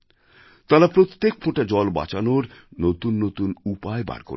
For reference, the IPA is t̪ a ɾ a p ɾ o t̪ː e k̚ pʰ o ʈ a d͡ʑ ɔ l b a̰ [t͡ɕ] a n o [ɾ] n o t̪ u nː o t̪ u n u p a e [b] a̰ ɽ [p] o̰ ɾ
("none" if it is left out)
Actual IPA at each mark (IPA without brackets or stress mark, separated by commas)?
t͡ɕ, ɾ, b, k